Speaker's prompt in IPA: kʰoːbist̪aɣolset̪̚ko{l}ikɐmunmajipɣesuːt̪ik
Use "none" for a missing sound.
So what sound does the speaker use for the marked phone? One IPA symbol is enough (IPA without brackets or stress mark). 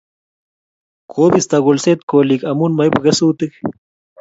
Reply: l